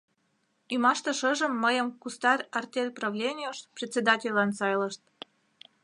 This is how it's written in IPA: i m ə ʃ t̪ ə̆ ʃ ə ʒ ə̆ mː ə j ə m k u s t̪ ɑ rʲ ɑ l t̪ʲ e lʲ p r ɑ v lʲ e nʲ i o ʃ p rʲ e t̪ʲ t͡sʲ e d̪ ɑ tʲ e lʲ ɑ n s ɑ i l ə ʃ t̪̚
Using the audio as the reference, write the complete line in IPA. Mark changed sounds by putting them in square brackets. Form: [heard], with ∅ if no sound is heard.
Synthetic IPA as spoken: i m [ɑ] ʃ t̪ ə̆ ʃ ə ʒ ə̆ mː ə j ə m k u s t̪ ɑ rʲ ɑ [r] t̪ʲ e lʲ p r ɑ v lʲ e nʲ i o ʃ p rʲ e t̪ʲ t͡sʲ e d̪ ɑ tʲ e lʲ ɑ n s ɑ [j] l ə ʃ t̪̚